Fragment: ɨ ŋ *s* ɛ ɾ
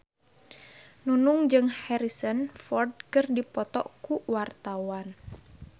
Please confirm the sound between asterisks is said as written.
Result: no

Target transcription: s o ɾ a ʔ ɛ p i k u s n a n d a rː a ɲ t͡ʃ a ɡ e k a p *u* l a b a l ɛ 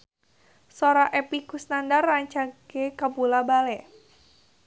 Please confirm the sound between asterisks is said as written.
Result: yes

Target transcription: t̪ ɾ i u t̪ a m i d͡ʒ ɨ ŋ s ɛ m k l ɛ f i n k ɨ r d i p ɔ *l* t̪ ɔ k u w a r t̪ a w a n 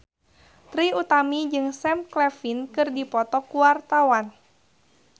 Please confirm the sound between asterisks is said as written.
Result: no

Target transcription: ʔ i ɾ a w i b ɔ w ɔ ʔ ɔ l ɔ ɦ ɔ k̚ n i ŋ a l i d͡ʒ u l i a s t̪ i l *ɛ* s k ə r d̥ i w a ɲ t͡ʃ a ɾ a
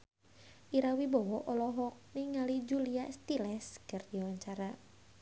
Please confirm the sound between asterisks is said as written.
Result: yes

